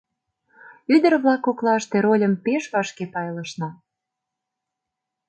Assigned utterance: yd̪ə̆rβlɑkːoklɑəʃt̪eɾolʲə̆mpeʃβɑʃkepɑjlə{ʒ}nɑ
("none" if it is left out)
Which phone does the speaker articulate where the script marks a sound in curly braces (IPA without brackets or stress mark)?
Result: ʃ